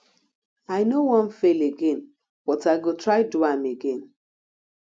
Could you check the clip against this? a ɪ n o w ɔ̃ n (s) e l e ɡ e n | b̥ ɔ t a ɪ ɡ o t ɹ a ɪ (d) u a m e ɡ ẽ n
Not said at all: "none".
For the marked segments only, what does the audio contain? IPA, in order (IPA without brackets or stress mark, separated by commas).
f, d